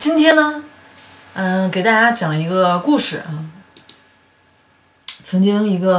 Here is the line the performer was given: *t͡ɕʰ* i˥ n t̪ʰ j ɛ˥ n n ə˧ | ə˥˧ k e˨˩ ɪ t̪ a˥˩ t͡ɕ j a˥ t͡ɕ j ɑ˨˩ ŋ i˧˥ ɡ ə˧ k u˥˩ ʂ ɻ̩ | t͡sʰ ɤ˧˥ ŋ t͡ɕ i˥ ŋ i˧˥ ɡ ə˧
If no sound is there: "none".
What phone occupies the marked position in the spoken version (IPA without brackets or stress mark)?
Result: t͡ɕ